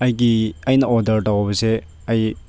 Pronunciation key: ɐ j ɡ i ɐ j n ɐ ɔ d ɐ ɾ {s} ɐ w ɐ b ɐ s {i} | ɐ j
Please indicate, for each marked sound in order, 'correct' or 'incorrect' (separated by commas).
incorrect, incorrect